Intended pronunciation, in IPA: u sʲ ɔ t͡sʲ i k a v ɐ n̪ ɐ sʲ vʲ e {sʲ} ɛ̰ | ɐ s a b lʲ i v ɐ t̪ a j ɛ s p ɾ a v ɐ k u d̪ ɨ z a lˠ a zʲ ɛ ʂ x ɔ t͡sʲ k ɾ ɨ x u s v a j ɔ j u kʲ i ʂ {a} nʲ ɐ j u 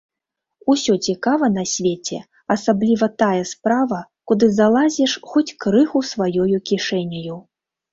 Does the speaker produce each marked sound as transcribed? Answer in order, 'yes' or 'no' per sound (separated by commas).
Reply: no, no